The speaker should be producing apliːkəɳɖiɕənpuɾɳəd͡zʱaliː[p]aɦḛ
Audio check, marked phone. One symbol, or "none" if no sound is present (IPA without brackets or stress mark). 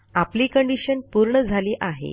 ʔ